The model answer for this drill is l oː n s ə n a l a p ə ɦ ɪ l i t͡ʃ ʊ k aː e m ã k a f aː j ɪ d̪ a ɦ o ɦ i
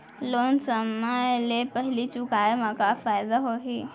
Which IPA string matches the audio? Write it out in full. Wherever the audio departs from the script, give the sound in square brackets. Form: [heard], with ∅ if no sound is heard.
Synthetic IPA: l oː n s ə [m] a l [e] p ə ɦ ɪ l i t͡ʃ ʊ k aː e m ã k a f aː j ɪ d̪ a ɦ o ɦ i

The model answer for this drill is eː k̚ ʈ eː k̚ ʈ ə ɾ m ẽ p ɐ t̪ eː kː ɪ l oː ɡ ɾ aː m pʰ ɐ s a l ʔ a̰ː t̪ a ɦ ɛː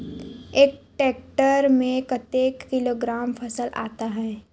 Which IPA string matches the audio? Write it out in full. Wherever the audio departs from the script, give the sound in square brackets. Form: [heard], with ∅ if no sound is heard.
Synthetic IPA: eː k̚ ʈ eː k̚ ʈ ə ɾ m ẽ [k] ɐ t̪ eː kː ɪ l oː ɡ ɾ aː m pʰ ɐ s [ə] l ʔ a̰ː t̪ a ɦ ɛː

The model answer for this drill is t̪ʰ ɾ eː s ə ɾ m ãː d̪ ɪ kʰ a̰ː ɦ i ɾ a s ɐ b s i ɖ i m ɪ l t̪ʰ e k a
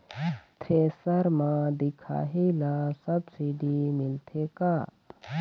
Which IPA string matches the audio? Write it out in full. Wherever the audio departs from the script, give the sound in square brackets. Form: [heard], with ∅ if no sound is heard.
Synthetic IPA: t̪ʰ ɾ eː s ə ɾ m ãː d̪ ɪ kʰ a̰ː ɦ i [l] a s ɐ b s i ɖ i m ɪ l t̪ʰ e k a

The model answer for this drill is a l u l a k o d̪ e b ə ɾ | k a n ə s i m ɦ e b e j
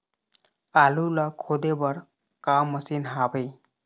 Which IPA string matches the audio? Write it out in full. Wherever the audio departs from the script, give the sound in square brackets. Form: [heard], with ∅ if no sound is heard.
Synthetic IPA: a l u l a [kʰ] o d̪ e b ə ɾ | k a [m] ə s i [n] ɦ [a] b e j

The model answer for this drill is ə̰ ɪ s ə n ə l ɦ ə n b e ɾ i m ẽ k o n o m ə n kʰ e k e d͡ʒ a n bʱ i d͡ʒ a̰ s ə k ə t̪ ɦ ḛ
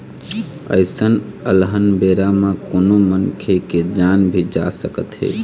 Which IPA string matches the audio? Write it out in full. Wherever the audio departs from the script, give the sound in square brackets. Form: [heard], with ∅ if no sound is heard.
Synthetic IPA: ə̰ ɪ s ə n ə l ɦ ə n b e ɾ [a] m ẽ k o n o m ə n kʰ e k e d͡ʒ a n bʱ i d͡ʒ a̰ s ə k ə t̪ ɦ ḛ

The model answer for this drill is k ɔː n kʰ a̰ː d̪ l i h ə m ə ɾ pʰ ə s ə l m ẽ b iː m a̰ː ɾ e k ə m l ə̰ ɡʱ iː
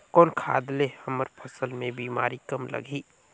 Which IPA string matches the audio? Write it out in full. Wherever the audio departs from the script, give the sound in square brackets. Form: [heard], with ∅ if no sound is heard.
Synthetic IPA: k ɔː n kʰ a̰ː d̪ l [e] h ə m ə ɾ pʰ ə s ə l m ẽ b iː m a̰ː ɾ [i] k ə m l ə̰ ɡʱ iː

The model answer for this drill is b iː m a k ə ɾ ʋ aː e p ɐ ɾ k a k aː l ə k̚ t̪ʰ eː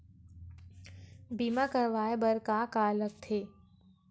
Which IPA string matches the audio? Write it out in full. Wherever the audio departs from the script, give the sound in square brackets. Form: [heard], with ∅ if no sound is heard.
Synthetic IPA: b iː m a k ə ɾ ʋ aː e [b] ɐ ɾ k a k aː l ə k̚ t̪ʰ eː

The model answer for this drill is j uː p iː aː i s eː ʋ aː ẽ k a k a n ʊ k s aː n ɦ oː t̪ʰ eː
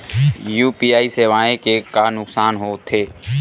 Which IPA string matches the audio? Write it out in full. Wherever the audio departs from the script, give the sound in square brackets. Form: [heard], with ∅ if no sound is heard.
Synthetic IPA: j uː p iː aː i s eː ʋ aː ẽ k [e] k a n ʊ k s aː n ɦ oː t̪ʰ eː

